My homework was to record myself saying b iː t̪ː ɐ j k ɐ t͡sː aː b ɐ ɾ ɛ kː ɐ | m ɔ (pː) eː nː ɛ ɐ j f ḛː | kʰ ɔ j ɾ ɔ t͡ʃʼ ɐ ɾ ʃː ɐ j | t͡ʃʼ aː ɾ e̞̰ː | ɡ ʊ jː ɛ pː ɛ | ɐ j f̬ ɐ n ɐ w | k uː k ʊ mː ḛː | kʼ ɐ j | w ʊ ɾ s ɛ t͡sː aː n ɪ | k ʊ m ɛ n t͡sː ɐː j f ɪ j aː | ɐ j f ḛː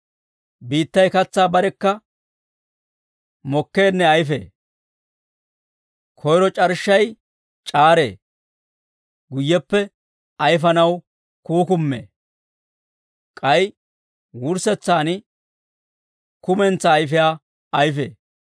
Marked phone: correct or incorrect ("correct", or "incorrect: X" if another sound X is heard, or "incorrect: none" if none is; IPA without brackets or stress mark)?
incorrect: kː